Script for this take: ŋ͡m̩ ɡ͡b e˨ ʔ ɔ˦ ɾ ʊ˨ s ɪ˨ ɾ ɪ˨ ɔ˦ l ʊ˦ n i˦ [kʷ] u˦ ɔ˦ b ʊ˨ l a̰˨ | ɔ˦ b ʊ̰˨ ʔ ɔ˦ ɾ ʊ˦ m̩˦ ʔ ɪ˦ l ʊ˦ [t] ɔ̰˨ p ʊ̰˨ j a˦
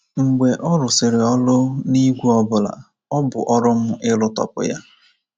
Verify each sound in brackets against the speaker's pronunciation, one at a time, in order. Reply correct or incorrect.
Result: incorrect: ɡʷ, correct

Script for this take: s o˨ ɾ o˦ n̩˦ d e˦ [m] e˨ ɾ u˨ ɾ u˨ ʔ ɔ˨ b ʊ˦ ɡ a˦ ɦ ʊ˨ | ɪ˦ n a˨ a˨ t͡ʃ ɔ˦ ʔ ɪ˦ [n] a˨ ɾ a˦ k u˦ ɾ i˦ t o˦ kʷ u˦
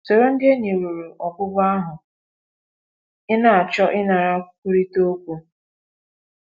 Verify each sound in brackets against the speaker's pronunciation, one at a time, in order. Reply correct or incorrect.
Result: incorrect: ɲ, correct

